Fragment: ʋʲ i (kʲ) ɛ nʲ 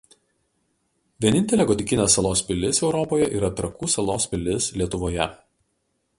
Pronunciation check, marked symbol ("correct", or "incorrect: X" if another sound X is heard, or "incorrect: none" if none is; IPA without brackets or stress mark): incorrect: none